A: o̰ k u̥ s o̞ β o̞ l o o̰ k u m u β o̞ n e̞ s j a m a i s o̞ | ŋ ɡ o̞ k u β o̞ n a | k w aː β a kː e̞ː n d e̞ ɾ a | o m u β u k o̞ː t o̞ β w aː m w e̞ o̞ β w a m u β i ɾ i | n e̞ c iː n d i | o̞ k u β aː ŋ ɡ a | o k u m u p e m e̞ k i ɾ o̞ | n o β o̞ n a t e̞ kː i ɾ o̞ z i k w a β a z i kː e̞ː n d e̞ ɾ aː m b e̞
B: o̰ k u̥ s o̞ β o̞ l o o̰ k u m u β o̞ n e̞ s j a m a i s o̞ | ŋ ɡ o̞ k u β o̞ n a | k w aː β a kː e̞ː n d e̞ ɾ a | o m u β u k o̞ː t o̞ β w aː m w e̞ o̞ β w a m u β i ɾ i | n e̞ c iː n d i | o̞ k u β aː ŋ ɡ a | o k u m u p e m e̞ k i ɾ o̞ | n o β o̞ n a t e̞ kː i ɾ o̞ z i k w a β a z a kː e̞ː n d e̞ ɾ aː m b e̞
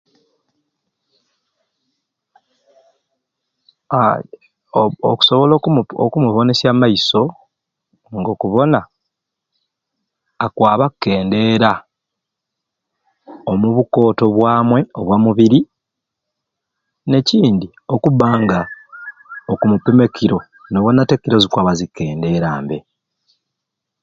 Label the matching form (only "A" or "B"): A